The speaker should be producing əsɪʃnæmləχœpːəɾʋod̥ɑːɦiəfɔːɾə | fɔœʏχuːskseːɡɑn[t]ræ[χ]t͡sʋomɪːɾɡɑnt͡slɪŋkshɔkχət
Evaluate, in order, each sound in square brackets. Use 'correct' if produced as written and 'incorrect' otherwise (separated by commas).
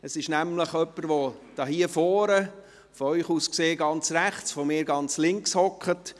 incorrect, correct